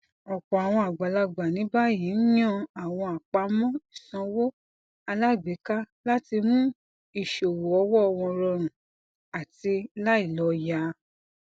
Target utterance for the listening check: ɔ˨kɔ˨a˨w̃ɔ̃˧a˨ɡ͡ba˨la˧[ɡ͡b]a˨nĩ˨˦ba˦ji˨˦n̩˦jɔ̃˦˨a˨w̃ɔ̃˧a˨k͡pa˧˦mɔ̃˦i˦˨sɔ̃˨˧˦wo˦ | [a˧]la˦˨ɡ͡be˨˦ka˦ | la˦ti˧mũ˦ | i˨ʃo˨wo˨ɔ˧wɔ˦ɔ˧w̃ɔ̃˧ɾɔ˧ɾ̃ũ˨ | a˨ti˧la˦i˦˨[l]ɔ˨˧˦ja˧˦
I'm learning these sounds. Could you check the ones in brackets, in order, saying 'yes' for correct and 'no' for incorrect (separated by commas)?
yes, yes, yes